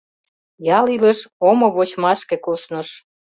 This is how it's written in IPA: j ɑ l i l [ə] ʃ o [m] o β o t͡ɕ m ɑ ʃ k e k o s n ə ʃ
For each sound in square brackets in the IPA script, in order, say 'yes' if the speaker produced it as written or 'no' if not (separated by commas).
yes, yes